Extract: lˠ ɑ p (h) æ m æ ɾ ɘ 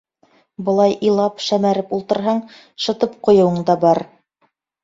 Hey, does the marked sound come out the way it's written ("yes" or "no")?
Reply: no